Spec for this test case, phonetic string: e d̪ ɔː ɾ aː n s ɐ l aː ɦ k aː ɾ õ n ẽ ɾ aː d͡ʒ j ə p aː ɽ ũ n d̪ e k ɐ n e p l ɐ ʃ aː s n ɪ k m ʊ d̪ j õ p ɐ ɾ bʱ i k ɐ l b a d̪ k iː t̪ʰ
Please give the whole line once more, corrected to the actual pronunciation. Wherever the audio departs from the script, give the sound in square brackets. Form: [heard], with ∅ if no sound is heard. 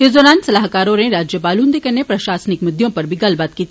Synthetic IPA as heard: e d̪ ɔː ɾ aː n s ɐ l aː ɦ k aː ɾ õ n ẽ ɾ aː d͡ʒ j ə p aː [l] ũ n d̪ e k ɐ n e p [ɾ] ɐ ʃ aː s n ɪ k m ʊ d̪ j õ p ɐ ɾ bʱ i [ɡ] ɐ l b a [t̪] k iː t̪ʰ

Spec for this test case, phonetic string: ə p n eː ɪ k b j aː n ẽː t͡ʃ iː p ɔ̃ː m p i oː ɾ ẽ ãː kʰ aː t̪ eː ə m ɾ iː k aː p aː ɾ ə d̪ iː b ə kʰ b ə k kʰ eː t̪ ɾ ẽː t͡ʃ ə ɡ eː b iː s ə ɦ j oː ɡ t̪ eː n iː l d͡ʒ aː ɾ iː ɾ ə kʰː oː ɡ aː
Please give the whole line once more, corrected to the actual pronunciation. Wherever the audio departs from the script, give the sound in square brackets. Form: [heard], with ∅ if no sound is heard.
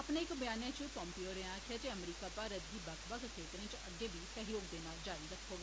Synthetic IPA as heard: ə p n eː ɪ k b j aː n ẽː t͡ʃ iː p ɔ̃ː m p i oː ɾ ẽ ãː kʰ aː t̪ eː ə m ɾ iː k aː p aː ɾ ə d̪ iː b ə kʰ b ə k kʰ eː t̪ ɾ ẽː t͡ʃ ə ɡ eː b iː s ə ɦ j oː ɡ [d̪] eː n [aː] l d͡ʒ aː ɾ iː ɾ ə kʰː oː ɡ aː

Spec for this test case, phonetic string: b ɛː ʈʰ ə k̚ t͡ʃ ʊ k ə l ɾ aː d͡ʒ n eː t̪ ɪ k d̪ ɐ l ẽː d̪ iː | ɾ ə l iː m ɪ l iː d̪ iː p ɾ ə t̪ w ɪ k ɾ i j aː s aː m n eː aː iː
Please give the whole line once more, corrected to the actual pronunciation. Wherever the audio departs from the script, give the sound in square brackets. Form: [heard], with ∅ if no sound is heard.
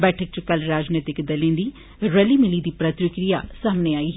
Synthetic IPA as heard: b ɛː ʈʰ ə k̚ t͡ʃ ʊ k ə l ɾ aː d͡ʒ n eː t̪ ɪ k d̪ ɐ l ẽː d̪ iː | ɾ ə l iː m ɪ l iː d̪ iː p ɾ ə t̪ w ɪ k ɾ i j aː s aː m n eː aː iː

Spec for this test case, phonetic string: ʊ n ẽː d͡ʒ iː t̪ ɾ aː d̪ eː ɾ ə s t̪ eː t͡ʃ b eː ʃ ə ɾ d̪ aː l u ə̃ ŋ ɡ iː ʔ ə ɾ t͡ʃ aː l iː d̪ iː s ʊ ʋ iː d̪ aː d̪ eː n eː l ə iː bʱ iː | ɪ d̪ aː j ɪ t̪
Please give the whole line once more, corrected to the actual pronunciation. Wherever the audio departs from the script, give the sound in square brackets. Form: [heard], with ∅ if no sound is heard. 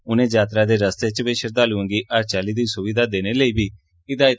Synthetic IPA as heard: ʊ n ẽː d͡ʒ [aː] t̪ ɾ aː d̪ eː ɾ ə s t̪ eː t͡ʃ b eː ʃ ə ɾ d̪ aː l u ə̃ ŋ ɡ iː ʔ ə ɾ t͡ʃ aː l iː d̪ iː s ʊ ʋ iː d̪ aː d̪ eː n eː l ə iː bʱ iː | ɪ d̪ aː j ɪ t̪

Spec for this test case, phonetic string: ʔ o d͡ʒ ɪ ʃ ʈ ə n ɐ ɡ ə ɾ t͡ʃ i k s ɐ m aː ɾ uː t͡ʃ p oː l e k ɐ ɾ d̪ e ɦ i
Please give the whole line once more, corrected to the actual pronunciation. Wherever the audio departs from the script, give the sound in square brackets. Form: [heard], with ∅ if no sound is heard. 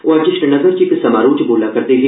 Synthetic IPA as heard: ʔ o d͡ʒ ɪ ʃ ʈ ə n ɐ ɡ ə ɾ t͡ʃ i k s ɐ m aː ɾ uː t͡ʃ [b] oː l [a] k ɐ ɾ [t̪] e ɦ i

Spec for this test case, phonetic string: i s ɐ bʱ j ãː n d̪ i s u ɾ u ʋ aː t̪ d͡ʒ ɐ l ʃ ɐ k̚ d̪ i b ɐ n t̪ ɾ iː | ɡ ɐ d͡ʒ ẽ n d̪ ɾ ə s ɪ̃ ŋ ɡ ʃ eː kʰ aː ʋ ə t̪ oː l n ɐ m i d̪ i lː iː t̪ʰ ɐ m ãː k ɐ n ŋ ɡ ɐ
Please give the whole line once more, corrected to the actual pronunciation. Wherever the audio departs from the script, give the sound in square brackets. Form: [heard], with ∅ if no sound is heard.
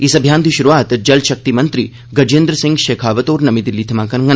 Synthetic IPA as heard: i s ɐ bʱ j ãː n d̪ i [ʃ] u ɾ u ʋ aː t̪ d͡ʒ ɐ l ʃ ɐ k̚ [t̪] i [m] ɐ n t̪ ɾ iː | ɡ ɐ d͡ʒ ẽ n d̪ ɾ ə s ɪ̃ ŋ ɡ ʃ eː kʰ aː ʋ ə t̪ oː [ɾ] n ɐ m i d̪ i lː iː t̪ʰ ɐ m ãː k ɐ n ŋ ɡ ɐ

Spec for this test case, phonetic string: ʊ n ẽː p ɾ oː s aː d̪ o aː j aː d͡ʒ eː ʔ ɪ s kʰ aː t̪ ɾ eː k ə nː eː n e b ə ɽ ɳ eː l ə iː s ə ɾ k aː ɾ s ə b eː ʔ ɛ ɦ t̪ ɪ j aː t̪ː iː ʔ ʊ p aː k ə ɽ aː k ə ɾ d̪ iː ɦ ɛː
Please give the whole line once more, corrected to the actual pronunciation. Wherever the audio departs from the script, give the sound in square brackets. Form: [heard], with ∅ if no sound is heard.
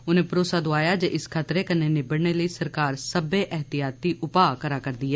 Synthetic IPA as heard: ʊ n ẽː p ɾ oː s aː d̪ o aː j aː d͡ʒ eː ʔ ɪ s kʰ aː t̪ ɾ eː k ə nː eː n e b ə ɽ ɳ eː l ə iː s ə ɾ k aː ɾ s ə b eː ʔ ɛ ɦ t̪ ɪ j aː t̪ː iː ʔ ʊ p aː k ə [ɾ] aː k ə ɾ d̪ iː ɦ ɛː

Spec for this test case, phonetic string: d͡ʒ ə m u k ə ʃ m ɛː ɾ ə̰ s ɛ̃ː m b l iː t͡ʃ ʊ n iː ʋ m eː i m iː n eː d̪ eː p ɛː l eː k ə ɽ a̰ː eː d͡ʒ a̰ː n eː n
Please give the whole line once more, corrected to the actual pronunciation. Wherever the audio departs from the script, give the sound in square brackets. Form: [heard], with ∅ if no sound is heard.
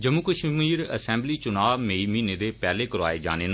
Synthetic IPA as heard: d͡ʒ ə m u k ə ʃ m [iː] ɾ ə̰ s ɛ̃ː m b l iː t͡ʃ ʊ n [aː] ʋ m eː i m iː n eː d̪ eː p ɛː l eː k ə [ɾ] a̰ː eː d͡ʒ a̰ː n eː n

